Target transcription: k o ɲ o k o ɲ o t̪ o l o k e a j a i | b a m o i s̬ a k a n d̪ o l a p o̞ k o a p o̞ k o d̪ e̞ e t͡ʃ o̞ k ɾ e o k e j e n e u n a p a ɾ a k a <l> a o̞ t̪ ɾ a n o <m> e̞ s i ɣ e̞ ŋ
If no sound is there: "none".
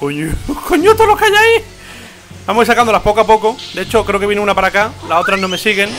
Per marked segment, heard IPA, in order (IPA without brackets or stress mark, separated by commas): l, m